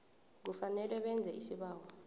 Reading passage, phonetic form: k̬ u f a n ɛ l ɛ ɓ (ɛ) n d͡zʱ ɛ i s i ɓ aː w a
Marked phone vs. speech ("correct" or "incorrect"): correct